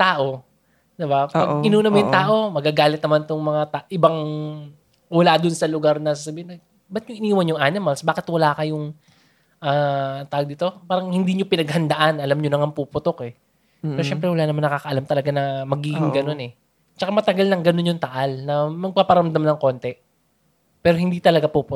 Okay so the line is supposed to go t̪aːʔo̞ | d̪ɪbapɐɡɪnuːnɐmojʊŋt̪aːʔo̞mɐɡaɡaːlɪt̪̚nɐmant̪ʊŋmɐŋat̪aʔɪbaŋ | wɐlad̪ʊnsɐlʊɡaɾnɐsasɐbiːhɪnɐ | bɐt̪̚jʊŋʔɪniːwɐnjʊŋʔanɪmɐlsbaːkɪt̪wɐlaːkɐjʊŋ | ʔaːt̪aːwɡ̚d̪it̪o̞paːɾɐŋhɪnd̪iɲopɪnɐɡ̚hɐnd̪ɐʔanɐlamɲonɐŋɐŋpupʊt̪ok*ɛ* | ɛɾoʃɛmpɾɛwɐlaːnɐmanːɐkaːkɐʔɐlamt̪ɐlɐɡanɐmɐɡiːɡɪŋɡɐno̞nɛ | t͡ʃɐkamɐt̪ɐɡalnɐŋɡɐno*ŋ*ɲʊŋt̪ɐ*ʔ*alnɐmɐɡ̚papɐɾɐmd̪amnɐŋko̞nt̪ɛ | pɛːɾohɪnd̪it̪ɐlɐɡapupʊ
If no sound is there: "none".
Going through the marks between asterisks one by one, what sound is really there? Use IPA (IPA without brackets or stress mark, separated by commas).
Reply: ɛ, n, ʔ